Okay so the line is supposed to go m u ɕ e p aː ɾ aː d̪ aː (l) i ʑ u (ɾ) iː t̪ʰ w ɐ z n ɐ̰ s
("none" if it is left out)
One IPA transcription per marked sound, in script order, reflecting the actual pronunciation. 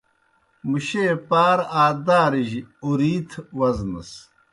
ɾ, ɾ

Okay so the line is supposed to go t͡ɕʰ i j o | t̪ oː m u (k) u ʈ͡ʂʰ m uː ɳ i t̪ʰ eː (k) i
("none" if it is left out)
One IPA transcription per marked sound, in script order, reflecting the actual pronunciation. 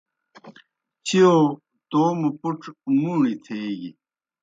p, ɡ

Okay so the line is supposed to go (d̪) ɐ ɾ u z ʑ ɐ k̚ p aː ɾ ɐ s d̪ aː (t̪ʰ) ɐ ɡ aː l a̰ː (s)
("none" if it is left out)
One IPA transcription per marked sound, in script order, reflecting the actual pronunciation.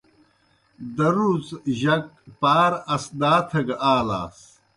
d̪, t̪ʰ, s

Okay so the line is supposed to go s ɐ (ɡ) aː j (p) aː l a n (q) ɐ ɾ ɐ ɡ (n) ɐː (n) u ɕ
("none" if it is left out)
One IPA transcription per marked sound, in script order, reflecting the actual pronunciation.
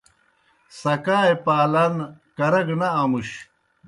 k, p, k, n, m

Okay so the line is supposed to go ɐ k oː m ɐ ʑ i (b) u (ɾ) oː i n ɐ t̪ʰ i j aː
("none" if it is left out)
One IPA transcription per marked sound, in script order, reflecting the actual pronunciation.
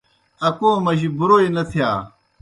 b, ɾ

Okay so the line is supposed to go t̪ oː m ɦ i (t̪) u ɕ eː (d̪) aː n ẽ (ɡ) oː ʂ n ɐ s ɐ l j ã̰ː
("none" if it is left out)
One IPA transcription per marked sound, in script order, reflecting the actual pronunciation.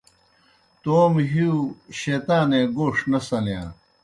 none, t̪, ɡ

